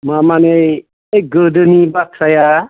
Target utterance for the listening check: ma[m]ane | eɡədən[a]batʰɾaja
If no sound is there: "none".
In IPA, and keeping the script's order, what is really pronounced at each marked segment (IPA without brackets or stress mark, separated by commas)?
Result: m, i